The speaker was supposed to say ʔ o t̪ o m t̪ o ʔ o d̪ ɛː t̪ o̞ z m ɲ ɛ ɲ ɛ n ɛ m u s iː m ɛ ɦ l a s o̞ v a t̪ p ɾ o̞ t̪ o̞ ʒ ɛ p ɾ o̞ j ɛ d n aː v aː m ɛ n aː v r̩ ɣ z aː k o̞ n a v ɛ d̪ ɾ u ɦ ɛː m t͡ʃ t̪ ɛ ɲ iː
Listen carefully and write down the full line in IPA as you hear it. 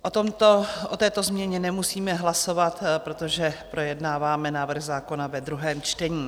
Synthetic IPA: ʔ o t̪ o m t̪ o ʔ o t̪ ɛː t̪ o̞ z m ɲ ɛ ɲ ɛ n ɛ m u s iː m ɛ ɦ l a s o̞ v a t̪ p ɾ o̞ t̪ o̞ ʒ ɛ p ɾ o̞ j ɛ d n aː v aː m ɛ n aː v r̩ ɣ z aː k o̞ n a v ɛ d̪ ɾ u ɦ ɛː m t͡ʃ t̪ ɛ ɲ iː